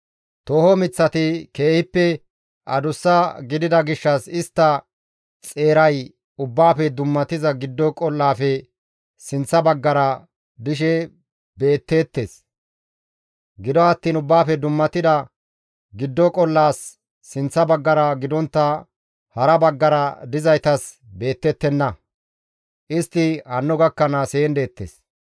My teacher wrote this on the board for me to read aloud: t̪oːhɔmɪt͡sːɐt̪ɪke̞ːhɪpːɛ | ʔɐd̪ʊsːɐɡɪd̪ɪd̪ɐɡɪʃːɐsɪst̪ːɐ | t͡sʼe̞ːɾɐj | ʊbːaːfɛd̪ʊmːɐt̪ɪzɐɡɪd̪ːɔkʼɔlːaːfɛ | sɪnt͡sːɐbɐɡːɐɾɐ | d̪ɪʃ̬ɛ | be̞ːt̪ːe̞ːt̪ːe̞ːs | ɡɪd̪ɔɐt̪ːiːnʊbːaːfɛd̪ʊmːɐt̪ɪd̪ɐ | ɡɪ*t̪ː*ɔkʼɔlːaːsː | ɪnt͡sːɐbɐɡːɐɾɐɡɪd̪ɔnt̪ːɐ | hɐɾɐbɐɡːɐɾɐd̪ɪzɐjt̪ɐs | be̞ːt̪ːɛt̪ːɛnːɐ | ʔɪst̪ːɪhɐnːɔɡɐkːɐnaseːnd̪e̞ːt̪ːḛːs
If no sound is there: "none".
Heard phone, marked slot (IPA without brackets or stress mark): d̪ː